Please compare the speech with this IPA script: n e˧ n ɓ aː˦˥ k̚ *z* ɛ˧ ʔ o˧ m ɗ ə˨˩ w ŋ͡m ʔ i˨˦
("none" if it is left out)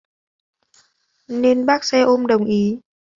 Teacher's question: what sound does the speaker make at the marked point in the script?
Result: s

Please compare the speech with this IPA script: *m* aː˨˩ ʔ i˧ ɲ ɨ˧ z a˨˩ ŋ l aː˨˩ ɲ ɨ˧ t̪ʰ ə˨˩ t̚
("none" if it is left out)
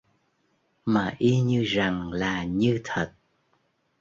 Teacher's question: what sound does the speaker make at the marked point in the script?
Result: m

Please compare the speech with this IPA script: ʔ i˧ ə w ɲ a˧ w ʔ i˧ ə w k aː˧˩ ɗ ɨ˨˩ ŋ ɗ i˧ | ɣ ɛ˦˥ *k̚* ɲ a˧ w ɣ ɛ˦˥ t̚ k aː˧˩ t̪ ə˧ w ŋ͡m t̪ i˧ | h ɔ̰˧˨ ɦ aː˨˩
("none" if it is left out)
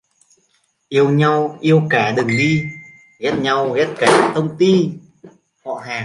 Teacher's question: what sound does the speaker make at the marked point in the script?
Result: t̚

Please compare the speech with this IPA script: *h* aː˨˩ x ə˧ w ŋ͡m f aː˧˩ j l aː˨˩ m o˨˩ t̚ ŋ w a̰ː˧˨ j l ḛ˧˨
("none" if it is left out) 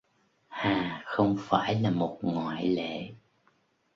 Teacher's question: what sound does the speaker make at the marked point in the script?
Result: h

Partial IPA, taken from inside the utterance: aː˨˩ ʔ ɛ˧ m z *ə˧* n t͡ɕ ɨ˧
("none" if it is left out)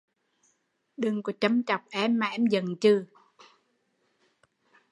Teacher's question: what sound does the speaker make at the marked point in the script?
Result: ə˨˩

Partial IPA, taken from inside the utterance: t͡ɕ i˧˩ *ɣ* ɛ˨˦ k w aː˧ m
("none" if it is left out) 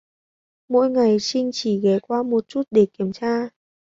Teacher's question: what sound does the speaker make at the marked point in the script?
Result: ɣ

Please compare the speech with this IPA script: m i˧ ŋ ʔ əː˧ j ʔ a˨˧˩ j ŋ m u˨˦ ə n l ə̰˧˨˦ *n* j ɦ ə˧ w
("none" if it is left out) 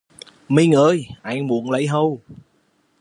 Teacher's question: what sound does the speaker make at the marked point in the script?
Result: none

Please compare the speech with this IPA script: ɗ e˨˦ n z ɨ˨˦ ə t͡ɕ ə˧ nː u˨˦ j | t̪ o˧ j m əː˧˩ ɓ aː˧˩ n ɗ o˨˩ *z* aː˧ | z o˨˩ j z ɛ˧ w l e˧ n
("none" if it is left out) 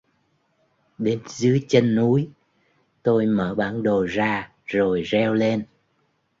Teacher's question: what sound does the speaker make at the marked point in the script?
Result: z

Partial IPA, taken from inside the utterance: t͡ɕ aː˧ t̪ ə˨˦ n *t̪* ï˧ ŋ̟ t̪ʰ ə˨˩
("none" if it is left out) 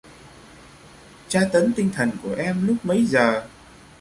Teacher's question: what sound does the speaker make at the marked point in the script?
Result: t̪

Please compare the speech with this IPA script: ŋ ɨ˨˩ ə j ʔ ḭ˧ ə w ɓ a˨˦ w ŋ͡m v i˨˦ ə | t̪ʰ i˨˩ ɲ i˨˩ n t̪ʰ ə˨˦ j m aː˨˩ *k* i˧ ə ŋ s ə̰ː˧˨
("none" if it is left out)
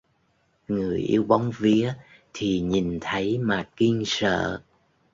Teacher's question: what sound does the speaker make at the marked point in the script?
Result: k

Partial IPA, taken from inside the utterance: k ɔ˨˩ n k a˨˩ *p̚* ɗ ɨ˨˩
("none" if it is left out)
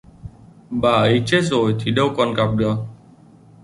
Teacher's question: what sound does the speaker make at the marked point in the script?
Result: p̚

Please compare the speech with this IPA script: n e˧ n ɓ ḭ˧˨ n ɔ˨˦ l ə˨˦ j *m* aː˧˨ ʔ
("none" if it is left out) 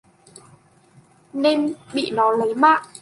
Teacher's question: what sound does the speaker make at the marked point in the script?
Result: m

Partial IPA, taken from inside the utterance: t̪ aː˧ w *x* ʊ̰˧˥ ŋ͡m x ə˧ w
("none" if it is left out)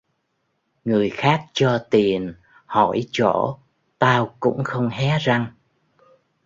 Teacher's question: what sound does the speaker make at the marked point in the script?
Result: k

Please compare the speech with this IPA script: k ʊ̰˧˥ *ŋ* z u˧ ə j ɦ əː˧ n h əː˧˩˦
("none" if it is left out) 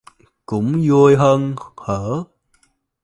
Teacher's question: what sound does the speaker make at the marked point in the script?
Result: ŋ͡m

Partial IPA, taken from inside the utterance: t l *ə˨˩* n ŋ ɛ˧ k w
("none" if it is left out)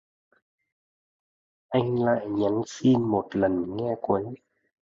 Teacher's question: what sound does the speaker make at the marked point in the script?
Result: ə˨˩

